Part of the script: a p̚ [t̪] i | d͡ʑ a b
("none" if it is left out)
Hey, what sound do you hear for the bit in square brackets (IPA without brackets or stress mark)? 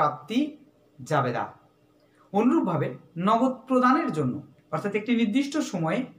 t̪